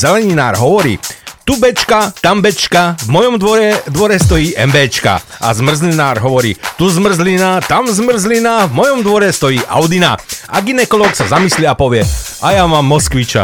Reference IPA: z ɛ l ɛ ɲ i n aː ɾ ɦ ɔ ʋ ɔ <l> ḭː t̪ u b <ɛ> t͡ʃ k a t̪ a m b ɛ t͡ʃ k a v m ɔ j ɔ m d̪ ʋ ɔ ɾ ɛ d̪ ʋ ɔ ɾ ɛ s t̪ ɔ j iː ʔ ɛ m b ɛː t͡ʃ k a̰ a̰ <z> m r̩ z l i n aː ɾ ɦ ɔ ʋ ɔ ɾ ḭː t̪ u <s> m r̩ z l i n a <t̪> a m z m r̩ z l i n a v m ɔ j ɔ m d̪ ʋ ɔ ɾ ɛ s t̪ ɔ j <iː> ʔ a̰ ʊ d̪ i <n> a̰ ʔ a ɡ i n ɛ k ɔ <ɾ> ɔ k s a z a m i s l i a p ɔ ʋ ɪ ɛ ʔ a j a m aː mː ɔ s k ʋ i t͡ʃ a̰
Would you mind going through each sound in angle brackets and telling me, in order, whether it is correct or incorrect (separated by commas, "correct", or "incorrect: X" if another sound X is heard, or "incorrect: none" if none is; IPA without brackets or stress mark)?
incorrect: ɾ, correct, correct, incorrect: z, correct, correct, correct, incorrect: l